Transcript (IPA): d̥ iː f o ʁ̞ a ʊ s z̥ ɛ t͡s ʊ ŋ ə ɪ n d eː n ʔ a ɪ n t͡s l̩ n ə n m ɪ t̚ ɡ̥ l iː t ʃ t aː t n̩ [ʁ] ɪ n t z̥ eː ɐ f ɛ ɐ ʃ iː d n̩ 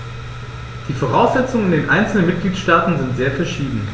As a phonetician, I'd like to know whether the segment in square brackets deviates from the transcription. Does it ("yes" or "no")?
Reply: yes